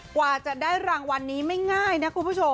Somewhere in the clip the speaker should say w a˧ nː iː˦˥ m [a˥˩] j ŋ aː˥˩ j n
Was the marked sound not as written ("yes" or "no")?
no